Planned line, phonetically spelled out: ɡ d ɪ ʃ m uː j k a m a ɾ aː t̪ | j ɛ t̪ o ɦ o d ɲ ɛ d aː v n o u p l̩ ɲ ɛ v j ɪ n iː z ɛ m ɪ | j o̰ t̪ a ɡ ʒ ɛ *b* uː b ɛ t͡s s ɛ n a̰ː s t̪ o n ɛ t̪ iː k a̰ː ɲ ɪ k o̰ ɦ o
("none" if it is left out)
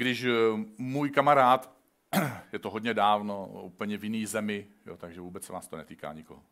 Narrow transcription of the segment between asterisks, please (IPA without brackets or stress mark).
v